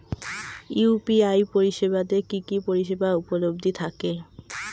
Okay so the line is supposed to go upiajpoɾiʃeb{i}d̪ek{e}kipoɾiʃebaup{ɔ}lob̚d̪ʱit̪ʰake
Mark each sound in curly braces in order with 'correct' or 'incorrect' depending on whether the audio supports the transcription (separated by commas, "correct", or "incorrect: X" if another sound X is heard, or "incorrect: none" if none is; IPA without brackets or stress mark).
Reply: incorrect: a, incorrect: i, incorrect: o